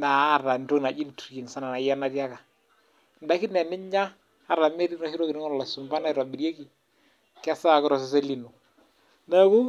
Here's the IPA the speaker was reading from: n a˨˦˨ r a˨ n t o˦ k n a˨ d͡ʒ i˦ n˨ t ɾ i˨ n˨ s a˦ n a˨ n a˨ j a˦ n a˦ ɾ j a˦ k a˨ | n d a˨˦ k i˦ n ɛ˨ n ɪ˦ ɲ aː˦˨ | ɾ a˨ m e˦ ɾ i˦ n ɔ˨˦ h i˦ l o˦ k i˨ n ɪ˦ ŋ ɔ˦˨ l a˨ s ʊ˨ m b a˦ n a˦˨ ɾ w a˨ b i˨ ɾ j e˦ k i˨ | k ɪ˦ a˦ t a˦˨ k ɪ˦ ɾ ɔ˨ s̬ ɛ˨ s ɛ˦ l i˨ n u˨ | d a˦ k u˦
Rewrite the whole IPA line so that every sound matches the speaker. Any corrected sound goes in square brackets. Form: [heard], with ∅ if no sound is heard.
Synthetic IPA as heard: n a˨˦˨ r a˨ n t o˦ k n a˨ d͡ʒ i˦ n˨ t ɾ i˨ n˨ s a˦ n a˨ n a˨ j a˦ n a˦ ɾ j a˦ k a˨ | n d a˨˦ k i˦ n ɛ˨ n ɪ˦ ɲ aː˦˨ | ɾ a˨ m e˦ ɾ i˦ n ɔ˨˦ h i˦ [ɾ] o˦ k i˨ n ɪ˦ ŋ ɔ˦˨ l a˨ s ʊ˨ m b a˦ n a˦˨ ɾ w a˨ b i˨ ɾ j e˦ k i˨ | k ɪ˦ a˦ [s] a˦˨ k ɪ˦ ɾ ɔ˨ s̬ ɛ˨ s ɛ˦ l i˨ n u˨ | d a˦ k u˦